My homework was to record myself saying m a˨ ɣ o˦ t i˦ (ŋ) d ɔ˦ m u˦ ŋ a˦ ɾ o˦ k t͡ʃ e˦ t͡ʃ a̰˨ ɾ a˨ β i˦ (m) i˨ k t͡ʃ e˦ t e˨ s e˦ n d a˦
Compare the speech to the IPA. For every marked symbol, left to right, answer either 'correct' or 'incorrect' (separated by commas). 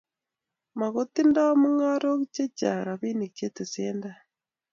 incorrect, incorrect